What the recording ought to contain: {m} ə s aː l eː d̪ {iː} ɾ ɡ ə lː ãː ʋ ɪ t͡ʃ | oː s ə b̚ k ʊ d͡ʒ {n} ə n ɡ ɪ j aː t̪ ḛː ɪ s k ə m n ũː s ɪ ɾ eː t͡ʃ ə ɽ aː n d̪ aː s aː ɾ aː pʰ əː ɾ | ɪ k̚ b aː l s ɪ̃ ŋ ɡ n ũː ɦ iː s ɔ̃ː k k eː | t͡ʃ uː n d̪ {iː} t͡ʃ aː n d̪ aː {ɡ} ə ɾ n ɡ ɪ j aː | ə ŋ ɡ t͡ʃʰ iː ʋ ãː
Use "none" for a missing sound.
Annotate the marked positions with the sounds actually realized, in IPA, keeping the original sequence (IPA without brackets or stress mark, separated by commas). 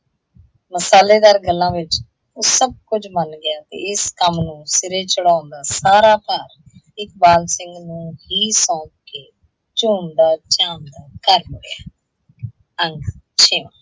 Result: m, aː, m, aː, k